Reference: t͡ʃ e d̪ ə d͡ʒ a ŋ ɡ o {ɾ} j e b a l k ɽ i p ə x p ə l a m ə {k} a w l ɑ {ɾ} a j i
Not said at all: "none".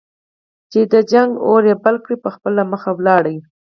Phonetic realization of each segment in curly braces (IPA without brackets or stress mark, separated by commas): ɾ, x, ɽ